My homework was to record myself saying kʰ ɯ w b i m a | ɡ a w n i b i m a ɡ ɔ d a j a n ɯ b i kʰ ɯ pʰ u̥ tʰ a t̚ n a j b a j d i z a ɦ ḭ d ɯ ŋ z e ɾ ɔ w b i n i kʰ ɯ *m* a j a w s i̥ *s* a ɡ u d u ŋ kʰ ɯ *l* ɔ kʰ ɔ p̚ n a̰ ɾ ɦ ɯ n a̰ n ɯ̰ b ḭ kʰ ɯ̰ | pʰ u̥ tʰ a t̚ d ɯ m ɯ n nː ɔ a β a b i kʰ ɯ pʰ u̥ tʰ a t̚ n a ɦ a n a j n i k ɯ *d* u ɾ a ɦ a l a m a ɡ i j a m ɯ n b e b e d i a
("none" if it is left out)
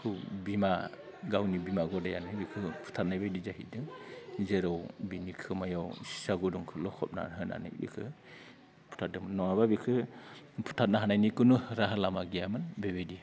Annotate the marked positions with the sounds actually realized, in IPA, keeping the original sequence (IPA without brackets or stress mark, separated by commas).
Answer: m, s, l, n